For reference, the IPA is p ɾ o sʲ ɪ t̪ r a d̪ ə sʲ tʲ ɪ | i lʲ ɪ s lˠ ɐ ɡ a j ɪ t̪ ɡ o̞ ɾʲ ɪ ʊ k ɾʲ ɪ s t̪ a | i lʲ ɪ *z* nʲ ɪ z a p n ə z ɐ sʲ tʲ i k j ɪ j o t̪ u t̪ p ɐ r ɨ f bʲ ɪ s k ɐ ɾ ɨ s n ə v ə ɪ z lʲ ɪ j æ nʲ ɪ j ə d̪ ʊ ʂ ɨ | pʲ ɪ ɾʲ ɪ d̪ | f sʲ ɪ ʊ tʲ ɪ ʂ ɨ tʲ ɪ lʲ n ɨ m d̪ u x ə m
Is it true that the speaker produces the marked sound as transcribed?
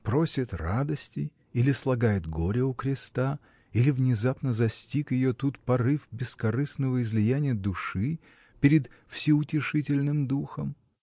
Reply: no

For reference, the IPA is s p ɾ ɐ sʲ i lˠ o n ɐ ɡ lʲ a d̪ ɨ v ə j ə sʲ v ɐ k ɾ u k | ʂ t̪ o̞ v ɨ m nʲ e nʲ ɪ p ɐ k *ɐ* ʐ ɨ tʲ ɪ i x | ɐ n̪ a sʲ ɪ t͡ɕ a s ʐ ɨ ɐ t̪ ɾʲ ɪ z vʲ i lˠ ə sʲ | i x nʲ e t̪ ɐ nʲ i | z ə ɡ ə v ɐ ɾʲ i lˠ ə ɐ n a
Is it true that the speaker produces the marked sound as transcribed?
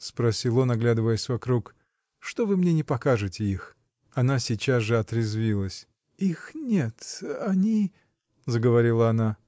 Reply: no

